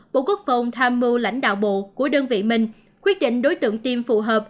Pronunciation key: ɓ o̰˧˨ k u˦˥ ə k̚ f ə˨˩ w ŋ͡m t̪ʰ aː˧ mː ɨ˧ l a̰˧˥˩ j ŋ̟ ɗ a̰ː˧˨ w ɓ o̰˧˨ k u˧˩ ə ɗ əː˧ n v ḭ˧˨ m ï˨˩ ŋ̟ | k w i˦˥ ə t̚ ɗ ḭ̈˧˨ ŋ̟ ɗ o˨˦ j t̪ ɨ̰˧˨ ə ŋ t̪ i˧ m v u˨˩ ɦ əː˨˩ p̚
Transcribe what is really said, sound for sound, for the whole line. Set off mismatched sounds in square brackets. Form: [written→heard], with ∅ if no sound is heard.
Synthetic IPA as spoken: ɓ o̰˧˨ k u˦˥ ə k̚ f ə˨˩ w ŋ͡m t̪ʰ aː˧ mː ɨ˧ l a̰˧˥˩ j ŋ̟ ɗ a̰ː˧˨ w ɓ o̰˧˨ k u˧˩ ə ɗ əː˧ n v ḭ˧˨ m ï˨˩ ŋ̟ | k w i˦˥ ə t̚ ɗ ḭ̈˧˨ ŋ̟ ɗ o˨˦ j t̪ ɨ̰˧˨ ə ŋ t̪ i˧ m [v→f] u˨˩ ɦ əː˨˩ p̚